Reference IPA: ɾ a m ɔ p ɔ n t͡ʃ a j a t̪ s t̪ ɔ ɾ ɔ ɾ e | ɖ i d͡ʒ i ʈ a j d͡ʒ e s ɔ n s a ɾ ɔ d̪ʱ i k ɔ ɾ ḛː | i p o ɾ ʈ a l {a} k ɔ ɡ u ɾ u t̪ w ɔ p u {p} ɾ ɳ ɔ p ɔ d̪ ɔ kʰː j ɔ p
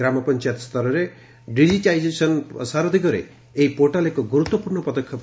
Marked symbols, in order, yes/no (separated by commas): no, no